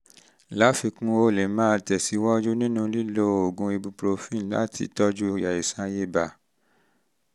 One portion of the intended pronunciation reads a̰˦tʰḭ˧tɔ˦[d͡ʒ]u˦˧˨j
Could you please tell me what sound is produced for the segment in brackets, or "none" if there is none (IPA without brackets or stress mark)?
d͡ʒ